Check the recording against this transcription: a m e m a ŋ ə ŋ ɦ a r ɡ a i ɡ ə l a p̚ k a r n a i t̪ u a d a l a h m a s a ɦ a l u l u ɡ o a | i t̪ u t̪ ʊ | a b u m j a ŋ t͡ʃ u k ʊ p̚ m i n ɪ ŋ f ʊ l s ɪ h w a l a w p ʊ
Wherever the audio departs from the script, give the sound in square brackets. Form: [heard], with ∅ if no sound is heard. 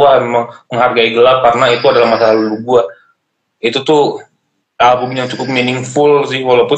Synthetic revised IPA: a m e m a ŋ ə ŋ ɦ a r ɡ a i ɡ ə l a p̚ k a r n a i t̪ u a d a l a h m a s a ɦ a l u l u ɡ [u] a | i t̪ u t̪ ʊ | a b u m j a ŋ t͡ʃ u k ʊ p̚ m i n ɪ ŋ f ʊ l s ɪ h w a l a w p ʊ